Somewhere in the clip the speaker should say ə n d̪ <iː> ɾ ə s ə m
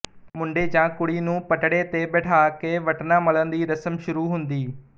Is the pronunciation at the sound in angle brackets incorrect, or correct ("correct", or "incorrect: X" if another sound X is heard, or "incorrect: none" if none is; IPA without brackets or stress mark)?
correct